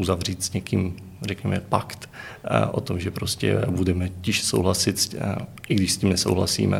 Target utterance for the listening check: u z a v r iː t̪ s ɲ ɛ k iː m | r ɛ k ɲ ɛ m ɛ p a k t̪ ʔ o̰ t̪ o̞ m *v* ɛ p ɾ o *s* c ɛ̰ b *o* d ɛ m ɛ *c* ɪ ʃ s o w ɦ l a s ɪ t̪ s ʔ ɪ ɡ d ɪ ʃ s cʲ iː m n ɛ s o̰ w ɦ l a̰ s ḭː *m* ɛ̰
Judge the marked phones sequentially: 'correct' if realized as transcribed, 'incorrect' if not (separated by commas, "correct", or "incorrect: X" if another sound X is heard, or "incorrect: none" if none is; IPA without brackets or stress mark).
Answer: incorrect: ʒ, correct, incorrect: u, correct, correct